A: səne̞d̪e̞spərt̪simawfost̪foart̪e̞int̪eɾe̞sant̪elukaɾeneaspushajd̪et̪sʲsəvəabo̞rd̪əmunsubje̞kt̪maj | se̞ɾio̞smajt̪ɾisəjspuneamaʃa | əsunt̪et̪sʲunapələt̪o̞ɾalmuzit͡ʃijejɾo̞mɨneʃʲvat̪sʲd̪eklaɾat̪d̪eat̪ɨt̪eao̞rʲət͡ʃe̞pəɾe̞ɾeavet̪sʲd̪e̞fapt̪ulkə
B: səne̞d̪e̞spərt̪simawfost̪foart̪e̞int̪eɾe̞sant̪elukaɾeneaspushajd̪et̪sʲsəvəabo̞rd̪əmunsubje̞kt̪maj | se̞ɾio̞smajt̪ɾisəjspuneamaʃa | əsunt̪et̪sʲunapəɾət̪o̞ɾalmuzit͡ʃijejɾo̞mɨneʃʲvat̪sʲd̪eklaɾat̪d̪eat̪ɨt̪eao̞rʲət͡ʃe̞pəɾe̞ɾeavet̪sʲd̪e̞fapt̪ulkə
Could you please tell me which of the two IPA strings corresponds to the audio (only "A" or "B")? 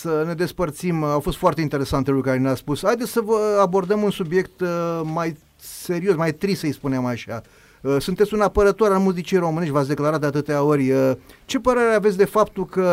B